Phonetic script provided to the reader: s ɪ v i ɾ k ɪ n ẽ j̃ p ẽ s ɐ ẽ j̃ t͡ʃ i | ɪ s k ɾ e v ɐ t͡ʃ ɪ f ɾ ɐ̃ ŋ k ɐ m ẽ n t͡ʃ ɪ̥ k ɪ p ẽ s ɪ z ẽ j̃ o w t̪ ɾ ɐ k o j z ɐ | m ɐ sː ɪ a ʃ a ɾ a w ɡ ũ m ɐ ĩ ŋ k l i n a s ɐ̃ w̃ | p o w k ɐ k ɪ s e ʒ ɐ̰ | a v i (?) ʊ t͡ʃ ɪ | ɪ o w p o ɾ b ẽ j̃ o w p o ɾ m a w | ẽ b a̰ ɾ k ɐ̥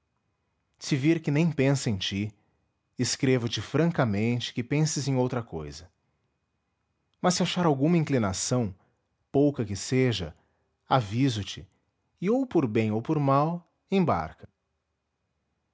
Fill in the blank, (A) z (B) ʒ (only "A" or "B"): A